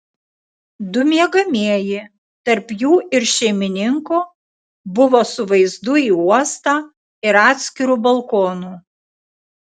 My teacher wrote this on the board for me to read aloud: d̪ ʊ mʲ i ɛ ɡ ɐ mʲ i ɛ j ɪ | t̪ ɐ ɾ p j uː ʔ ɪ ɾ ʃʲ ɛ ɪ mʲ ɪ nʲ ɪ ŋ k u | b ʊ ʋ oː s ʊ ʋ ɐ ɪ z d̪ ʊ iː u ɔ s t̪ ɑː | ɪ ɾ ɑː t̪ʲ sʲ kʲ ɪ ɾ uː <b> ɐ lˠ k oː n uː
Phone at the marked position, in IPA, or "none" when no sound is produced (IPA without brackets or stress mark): b